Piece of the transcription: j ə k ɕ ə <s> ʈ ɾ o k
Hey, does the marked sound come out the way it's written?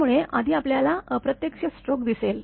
yes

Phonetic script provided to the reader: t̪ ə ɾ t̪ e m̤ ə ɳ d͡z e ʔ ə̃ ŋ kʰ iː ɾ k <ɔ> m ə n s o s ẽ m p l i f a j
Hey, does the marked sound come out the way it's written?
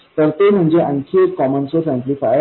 yes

